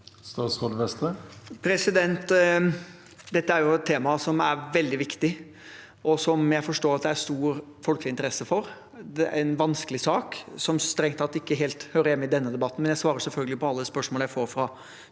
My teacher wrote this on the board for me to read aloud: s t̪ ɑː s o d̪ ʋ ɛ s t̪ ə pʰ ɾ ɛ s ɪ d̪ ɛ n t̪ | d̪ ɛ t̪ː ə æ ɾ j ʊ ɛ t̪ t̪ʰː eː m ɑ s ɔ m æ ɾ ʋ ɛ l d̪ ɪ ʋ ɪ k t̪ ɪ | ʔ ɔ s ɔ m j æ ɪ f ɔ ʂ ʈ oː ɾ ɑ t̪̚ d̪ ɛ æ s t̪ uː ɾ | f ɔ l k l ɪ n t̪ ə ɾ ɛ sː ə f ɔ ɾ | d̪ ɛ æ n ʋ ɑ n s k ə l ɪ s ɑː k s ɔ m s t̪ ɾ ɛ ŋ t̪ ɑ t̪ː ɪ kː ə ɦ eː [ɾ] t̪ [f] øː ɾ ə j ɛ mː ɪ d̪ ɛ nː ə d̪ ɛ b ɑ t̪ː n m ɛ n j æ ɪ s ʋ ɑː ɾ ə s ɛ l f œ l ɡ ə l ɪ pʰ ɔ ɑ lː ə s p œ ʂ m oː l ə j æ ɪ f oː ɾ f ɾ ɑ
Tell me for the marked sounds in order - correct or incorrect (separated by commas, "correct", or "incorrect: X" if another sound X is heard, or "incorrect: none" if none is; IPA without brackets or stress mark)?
incorrect: l, incorrect: h